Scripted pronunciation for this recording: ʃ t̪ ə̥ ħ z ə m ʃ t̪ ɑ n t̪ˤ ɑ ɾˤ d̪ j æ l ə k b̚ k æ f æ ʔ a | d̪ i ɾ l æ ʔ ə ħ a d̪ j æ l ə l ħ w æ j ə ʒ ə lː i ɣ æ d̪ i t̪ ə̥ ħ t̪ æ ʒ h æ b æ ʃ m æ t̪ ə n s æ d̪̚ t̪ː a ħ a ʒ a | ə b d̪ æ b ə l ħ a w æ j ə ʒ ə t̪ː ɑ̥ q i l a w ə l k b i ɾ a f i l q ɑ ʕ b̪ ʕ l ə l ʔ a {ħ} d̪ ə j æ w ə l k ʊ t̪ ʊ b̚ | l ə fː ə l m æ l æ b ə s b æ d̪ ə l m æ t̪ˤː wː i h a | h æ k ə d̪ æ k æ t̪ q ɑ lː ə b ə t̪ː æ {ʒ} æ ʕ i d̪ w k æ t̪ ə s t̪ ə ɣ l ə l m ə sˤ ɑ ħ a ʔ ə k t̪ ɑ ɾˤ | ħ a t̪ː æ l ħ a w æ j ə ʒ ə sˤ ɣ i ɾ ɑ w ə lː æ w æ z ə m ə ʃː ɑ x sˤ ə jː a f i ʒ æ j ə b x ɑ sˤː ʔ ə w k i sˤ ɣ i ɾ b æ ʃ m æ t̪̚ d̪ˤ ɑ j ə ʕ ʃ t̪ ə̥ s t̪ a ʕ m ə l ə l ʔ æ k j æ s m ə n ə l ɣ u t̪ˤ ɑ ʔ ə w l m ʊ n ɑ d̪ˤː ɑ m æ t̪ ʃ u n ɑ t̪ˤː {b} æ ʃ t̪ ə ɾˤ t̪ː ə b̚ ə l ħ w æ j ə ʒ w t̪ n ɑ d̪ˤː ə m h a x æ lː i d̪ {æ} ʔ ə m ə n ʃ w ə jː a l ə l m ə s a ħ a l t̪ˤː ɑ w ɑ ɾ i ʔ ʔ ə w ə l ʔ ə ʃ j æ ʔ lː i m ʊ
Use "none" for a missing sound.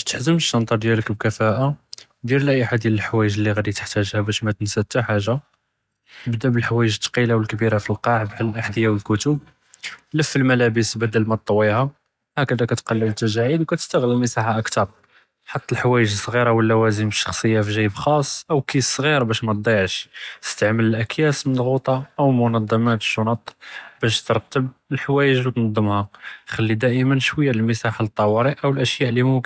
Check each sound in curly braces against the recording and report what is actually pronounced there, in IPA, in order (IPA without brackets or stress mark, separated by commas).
ħ, ʒ, b, æ